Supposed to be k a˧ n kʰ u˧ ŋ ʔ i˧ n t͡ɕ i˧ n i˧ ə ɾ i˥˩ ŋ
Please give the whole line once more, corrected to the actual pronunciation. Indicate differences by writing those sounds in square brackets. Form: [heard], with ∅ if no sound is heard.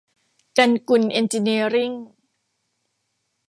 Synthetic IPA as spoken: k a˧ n [k] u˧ [n] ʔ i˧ n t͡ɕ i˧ n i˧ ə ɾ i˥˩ ŋ